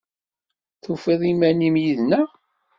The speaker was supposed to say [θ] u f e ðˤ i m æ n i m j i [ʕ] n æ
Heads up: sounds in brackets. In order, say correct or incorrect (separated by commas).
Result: correct, incorrect